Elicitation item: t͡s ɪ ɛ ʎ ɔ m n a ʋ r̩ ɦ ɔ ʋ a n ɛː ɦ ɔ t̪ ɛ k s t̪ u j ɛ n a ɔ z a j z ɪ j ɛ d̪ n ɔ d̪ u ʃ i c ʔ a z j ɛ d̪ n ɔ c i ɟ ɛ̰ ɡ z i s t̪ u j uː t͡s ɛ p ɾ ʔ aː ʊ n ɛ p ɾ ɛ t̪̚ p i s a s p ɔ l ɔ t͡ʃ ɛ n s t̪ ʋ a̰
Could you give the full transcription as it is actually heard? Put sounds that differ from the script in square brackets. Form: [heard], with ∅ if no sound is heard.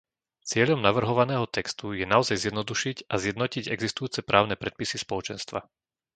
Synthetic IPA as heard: t͡s ɪ ɛ ʎ ɔ m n a ʋ r̩ ɦ ɔ ʋ a n ɛː ɦ ɔ t̪ ɛ k s t̪ u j ɛ n a ɔ z a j z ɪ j ɛ d̪ n ɔ d̪ u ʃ i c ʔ a z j ɛ d̪ n ɔ c i ɟ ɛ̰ ɡ z i s t̪ u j uː t͡s ɛ p ɾ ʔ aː ʊ n ɛ p ɾ ɛ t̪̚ p i s [i] s p ɔ l ɔ t͡ʃ ɛ n s t̪ ʋ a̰